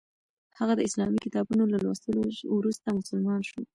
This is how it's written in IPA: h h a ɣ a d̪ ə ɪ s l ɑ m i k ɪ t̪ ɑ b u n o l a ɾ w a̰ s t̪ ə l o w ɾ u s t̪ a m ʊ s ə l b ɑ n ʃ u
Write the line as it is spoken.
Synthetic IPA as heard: h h a ɣ a d̪ ə ɪ s l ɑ m i k ɪ t̪ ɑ b u n o l a l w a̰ s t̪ ə l o w ɾ u s t̪ a m ʊ s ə l m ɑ n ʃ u